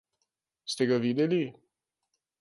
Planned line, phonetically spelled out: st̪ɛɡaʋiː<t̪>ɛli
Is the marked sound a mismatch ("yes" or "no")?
yes